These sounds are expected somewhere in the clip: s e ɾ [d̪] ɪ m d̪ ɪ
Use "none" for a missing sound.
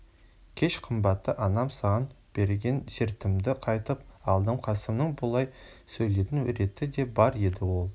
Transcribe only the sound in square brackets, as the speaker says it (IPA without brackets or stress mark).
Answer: t̪